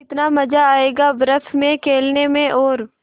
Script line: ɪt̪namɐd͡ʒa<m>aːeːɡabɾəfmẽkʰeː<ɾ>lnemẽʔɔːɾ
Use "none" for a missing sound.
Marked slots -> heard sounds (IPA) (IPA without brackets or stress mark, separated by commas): none, none